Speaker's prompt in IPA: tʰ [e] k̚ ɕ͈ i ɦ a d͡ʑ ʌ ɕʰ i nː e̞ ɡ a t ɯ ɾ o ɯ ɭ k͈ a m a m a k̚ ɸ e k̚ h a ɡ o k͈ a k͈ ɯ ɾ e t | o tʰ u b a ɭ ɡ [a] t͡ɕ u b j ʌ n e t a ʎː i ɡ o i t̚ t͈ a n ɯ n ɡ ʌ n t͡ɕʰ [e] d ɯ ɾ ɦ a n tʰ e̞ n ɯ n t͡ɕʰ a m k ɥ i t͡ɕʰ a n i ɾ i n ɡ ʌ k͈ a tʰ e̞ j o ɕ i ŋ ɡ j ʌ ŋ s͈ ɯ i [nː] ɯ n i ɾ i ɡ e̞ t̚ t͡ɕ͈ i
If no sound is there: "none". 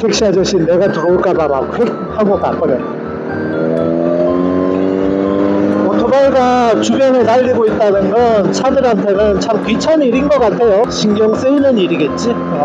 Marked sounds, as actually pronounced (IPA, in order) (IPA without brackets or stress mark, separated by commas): e, a, a, n